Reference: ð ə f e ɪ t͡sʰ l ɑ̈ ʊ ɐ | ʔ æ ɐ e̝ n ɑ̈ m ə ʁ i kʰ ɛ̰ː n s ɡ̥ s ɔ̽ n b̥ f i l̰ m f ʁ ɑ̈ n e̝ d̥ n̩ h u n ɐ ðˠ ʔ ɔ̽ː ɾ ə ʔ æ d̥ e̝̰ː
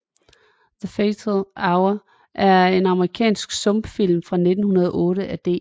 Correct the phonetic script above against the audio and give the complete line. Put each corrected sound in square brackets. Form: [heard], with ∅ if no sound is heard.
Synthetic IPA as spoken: ð ə f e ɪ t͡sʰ l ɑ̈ ʊ ɐ | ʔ æ ɐ e̝ n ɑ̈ m ə ʁ i kʰ ɛ̰ː n s ɡ̥ s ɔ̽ [m] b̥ f i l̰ m f ʁ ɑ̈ n e̝ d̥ n̩ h u n ɐ ðˠ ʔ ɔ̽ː ɾ ə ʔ æ d̥ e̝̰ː